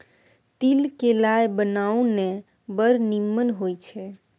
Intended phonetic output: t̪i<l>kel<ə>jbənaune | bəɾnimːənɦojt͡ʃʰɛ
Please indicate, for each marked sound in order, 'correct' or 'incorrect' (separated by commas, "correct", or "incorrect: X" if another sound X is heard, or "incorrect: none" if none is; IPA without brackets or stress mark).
correct, incorrect: a